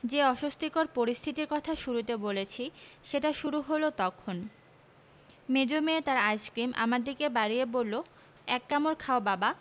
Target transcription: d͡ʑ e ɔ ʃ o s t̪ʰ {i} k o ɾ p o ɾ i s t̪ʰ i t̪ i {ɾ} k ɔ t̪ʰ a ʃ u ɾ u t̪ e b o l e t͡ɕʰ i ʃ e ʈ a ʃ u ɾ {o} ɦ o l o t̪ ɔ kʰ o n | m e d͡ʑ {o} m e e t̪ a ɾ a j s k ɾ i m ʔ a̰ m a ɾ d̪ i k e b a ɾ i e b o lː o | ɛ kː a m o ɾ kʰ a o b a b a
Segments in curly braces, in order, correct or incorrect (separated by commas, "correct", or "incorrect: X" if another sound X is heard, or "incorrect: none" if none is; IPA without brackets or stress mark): correct, correct, incorrect: u, correct